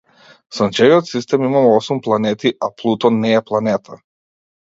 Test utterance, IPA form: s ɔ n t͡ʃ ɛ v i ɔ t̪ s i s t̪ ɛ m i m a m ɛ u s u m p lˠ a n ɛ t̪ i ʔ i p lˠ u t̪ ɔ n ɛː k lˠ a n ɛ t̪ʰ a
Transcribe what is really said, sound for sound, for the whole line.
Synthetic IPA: s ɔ n t͡ʃ ɛ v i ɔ t̪ s i s t̪ ɛ m i m a m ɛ ɔ s u m p lˠ a n ɛ t̪ i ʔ a p lˠ u t̪ ɔ n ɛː p lˠ a n ɛ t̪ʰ a